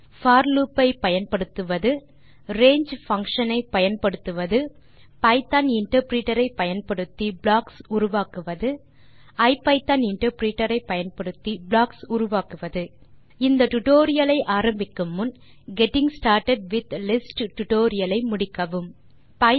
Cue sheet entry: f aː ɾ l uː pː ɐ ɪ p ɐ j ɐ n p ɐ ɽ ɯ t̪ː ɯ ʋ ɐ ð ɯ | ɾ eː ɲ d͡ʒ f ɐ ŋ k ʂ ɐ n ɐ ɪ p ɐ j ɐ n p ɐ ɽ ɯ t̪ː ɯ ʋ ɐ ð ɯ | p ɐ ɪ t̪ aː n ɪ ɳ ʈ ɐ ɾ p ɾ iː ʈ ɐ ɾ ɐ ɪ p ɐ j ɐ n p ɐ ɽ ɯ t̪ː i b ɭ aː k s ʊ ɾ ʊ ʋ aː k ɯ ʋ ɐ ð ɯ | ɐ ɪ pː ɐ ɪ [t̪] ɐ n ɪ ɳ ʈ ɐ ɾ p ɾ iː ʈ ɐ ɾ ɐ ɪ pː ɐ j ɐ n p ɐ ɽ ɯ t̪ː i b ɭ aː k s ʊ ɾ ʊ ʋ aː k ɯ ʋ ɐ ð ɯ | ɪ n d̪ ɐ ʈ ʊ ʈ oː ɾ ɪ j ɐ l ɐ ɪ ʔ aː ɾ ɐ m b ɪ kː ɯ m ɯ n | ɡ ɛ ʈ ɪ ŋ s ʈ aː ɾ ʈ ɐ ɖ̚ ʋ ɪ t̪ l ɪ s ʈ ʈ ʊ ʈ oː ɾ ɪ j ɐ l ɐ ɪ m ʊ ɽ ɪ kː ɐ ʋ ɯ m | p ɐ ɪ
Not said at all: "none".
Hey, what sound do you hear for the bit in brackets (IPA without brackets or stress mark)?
t̪